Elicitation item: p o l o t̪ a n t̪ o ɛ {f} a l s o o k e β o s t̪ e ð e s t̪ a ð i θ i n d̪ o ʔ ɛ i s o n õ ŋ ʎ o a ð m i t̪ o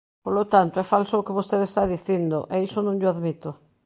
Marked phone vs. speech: correct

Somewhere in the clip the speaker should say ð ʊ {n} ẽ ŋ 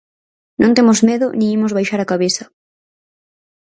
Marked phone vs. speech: correct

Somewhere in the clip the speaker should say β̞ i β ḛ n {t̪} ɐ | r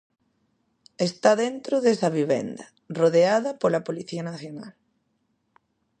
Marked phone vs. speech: incorrect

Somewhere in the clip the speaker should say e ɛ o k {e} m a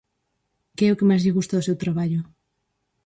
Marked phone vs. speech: correct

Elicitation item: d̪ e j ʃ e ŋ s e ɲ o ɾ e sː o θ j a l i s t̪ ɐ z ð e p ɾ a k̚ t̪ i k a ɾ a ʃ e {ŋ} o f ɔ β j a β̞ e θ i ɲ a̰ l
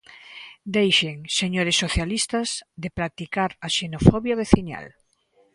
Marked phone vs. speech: incorrect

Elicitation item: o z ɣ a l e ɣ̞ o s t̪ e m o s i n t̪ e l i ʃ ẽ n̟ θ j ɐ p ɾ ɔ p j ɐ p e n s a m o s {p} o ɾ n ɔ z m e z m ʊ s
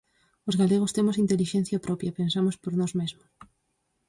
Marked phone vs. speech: correct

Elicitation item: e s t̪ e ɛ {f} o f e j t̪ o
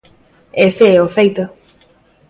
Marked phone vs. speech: incorrect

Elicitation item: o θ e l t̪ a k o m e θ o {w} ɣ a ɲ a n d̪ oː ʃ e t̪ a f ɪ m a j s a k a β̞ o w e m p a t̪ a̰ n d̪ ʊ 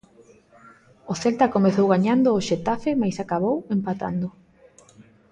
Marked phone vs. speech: correct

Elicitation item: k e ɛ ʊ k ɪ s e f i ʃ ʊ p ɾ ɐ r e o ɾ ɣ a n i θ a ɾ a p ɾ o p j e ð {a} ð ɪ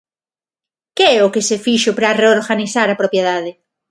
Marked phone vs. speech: correct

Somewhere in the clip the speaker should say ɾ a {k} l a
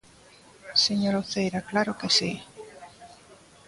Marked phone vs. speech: correct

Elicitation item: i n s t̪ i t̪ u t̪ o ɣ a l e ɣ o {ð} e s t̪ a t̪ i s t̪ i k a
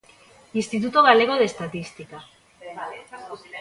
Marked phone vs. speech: correct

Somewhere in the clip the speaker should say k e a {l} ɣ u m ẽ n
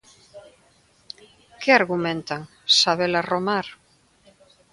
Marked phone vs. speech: incorrect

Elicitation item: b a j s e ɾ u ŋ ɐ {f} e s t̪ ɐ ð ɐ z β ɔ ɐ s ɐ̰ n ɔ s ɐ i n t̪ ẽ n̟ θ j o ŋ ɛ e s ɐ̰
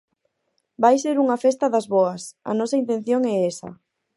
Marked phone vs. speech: correct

